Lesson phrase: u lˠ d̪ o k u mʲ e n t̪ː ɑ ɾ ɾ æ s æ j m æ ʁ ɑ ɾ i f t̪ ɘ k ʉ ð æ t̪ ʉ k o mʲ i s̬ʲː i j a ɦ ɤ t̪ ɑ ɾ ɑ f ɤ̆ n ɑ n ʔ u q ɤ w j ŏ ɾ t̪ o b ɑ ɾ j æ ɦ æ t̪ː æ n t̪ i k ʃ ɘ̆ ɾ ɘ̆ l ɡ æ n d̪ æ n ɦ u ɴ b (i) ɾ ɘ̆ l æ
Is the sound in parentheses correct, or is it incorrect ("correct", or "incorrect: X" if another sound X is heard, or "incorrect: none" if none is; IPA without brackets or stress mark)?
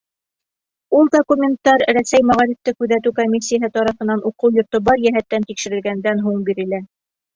correct